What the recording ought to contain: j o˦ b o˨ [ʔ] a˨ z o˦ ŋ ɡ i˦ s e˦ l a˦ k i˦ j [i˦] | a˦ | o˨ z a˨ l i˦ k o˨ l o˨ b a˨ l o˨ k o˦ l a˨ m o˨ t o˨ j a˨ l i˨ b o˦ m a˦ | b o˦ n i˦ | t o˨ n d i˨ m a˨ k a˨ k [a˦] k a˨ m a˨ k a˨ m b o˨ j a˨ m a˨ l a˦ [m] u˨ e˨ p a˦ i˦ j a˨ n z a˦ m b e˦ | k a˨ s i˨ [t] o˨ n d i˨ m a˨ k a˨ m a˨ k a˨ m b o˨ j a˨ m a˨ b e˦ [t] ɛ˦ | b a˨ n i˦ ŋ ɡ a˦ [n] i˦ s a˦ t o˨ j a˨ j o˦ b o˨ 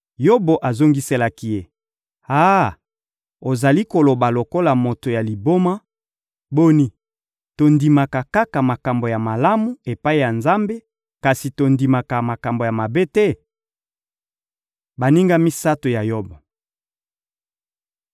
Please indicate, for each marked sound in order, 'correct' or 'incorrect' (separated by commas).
correct, incorrect, correct, correct, correct, correct, incorrect